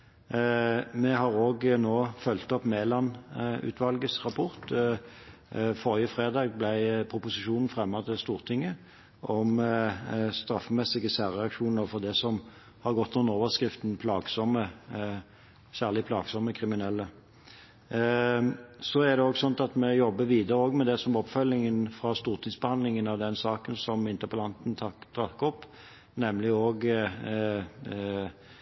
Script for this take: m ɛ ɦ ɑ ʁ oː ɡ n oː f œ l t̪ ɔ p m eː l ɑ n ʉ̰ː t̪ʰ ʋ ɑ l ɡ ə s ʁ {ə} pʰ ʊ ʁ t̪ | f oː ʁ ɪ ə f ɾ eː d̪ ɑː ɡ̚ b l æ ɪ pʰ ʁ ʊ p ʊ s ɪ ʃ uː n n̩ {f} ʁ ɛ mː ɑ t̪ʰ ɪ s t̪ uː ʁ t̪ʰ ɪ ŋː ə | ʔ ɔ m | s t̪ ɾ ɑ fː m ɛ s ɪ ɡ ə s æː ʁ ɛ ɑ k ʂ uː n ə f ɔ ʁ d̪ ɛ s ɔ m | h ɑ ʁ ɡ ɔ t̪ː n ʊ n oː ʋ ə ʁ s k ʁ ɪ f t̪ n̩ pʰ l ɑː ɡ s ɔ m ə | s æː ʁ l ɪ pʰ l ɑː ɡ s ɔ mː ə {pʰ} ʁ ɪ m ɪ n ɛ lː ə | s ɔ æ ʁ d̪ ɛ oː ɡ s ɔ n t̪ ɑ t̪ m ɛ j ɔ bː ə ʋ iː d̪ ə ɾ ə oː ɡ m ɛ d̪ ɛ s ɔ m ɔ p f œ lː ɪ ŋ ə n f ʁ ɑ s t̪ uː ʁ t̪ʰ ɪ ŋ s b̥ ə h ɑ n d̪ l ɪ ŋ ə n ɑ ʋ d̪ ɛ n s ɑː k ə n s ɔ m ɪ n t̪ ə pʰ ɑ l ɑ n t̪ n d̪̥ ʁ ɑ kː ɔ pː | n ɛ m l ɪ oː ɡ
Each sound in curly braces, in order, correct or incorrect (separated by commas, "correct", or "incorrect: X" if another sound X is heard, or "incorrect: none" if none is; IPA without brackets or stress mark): incorrect: ɑ, correct, incorrect: kʰ